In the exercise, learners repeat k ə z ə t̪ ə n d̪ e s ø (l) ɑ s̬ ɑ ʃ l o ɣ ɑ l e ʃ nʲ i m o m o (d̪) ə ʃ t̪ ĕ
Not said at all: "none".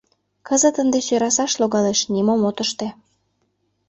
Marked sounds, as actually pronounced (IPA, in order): ɾ, t̪

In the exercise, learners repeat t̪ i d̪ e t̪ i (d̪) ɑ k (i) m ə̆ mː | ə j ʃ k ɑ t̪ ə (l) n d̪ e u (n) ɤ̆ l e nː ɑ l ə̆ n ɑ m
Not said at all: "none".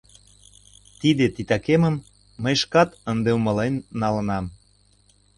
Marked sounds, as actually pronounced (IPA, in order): t̪, e, none, m

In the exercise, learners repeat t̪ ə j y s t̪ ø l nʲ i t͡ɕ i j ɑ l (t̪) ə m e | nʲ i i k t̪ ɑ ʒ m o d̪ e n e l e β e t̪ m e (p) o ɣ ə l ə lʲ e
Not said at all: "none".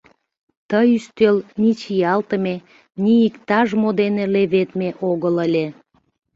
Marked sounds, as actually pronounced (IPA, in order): t̪, ʔ

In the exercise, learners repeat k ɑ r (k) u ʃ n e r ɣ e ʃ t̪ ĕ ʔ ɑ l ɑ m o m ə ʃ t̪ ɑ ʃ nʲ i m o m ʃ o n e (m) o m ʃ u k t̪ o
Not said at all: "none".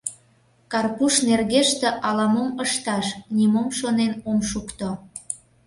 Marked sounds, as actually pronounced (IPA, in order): p, n

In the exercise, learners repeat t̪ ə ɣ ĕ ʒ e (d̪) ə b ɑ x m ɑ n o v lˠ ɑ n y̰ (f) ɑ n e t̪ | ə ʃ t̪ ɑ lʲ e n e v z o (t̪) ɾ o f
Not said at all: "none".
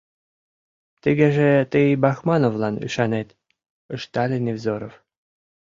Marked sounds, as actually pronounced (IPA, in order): t̪, ʃ, none

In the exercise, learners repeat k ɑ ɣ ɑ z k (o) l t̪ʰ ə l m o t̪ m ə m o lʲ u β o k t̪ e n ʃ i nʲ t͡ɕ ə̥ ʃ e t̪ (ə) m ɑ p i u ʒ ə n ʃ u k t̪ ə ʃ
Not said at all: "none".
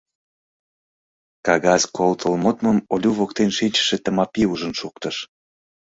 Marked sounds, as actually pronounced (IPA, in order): o, ə

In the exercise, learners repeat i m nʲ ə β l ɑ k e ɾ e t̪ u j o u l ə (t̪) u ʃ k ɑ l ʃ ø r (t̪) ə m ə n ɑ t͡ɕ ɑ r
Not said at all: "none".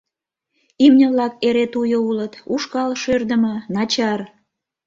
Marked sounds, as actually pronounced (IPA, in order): t̪, d̪

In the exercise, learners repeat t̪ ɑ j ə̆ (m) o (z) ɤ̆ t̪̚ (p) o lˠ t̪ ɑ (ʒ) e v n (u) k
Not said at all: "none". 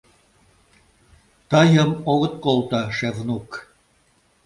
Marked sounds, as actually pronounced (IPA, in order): m, ɣ, k, ʃ, u

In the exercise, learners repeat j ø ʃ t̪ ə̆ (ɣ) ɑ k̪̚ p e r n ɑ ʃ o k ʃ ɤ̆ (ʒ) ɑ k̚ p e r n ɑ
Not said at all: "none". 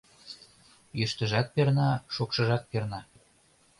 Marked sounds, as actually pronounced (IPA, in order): ʒ, ʒ

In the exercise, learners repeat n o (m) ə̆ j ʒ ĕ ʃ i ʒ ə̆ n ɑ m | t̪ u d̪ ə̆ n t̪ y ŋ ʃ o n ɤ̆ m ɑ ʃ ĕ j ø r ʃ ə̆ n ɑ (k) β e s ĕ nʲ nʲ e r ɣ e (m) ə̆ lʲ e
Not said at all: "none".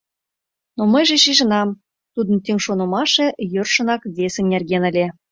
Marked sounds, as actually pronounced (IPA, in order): m, k, n

